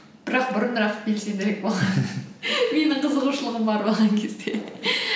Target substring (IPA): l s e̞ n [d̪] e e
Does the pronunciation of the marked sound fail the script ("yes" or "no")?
no